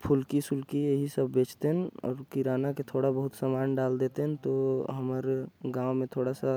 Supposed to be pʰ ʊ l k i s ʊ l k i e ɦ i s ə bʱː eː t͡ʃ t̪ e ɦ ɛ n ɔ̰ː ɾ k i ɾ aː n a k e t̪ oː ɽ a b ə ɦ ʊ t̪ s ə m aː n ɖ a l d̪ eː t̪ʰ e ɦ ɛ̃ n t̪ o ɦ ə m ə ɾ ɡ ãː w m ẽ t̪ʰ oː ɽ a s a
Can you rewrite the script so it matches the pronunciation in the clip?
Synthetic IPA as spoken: pʰ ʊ l k i s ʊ l k i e ɦ i s ə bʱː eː t͡ʃ t̪ e ɦ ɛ n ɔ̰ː ɾ k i ɾ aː n a k e t̪ʰ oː ɽ a b ə ɦ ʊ t̪ s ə m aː n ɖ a l d̪ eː t̪ e ɦ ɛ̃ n t̪ o ɦ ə m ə ɾ ɡ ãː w m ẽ t̪ʰ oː ɽ a s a